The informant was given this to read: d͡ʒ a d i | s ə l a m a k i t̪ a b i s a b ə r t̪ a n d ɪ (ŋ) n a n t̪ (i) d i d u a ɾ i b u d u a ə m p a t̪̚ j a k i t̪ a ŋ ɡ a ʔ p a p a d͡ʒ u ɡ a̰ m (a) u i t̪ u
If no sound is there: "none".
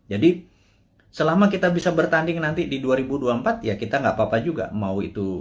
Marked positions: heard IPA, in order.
ŋ, i, a

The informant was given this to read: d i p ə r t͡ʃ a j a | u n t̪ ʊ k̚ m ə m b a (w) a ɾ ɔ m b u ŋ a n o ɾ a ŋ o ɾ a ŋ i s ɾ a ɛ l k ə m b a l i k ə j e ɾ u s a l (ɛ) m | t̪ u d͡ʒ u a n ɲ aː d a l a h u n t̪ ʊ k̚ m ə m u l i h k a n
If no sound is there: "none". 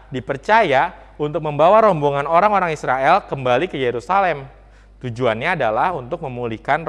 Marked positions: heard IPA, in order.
w, ɛ

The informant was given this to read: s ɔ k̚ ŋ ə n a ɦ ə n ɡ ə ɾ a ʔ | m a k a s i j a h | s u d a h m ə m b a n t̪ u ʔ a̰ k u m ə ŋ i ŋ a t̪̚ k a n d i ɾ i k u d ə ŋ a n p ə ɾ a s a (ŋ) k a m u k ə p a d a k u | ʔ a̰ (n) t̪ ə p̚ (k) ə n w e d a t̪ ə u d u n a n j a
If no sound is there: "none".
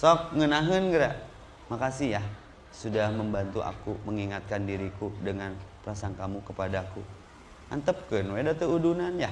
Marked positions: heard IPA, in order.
ŋ, n, k

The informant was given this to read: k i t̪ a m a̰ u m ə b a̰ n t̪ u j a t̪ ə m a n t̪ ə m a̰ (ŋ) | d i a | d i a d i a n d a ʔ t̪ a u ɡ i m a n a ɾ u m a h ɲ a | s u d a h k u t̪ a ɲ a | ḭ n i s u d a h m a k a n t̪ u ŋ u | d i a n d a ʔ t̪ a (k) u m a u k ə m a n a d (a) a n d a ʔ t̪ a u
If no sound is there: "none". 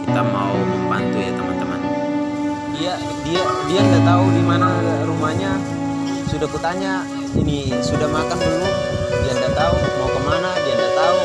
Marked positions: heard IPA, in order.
n, none, i

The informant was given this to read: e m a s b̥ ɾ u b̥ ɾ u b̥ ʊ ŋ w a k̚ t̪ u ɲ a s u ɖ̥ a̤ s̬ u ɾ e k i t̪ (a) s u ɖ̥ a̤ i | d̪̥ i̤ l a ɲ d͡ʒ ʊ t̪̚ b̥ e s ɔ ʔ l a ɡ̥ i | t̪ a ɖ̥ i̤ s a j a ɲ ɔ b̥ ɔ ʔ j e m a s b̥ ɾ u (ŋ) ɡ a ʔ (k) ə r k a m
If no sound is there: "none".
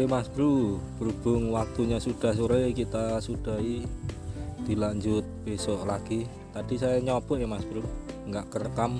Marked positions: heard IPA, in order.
a, ŋ, k

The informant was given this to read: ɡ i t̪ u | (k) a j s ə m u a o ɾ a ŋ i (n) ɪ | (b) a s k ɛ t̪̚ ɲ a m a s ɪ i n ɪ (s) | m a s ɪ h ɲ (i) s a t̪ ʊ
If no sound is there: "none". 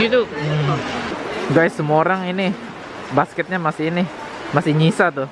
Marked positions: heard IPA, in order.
ɡ, n, b, none, i

